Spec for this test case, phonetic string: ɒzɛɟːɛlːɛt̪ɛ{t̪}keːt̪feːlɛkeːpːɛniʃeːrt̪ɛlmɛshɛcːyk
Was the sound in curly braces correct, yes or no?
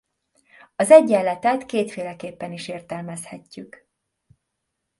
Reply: yes